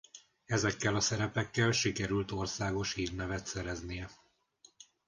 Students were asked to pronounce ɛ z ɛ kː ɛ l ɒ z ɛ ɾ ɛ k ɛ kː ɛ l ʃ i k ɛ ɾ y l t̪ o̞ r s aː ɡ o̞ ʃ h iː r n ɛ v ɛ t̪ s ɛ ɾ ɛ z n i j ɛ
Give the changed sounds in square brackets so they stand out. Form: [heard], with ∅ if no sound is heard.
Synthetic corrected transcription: ɛ z ɛ kː ɛ l ɒ [s] ɛ ɾ ɛ [p] ɛ kː ɛ l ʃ i k ɛ ɾ y l t̪ o̞ r s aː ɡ o̞ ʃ h iː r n ɛ v ɛ t̪ s ɛ ɾ ɛ z n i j ɛ

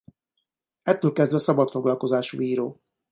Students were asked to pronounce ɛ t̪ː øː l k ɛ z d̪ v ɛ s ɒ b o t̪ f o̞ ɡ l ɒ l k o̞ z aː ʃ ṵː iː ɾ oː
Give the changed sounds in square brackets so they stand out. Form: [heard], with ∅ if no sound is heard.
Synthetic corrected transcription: ɛ t̪ː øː l k ɛ z d̪ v ɛ s ɒ b [ɒ] t̪ f o̞ ɡ l ɒ l k o̞ z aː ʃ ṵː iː ɾ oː

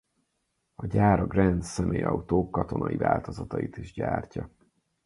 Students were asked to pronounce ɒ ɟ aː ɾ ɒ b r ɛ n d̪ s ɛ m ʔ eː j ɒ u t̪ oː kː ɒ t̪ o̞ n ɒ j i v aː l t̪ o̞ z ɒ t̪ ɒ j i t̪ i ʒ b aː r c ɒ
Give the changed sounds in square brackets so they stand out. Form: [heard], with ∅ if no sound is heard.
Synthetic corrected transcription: ɒ ɟ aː ɾ ɒ [ɡ] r ɛ n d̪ s ɛ m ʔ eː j ɒ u t̪ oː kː ɒ t̪ o̞ n ɒ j i v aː l t̪ o̞ z ɒ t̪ ɒ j i t̪ i ʒ [ɟ] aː r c ɒ

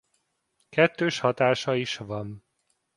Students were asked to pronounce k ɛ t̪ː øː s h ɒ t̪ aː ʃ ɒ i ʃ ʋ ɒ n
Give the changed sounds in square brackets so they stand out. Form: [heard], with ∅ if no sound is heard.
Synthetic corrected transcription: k ɛ t̪ː øː [ʃ] h ɒ t̪ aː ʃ ɒ i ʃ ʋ ɒ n

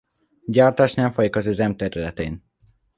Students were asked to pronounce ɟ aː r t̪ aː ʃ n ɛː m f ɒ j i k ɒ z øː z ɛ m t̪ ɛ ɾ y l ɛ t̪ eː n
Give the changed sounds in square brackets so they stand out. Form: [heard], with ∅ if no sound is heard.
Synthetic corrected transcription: ɟ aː r t̪ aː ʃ n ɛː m f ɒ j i k ɒ z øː z ɛ m t̪ ɛ ɾ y l ɛ t̪ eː n

